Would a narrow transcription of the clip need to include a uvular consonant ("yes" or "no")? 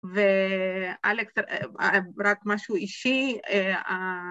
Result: no